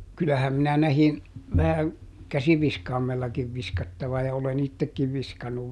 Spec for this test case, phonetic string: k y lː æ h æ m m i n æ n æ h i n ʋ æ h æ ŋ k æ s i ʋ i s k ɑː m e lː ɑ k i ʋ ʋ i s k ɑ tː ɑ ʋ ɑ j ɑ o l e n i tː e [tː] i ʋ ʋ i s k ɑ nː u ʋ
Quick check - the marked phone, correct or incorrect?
incorrect